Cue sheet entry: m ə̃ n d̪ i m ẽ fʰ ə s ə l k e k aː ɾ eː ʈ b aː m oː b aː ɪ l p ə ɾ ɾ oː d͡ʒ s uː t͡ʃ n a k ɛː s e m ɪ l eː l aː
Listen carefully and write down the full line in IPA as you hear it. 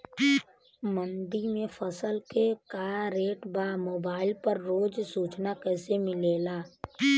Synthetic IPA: m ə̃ n d̪ i m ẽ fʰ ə s ə l k e k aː ɾ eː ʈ b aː m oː b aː ɪ l p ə ɾ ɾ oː d͡ʒ s uː t͡ʃ n a k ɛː s e m ɪ l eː l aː